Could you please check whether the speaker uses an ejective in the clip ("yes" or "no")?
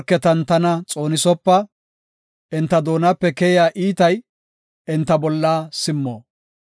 yes